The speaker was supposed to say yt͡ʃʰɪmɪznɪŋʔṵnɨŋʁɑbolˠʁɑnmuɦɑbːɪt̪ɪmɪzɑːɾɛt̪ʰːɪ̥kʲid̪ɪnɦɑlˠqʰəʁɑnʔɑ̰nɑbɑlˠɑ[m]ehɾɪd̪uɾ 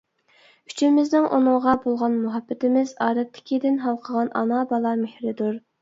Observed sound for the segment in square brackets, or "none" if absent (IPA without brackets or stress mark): m